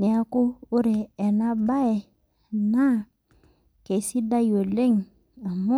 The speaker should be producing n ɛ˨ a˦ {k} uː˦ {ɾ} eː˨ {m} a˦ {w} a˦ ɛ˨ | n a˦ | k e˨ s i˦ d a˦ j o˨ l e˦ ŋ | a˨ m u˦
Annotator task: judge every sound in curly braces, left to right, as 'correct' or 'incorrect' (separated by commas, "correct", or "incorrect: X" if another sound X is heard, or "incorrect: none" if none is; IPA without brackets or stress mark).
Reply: correct, correct, incorrect: n, incorrect: b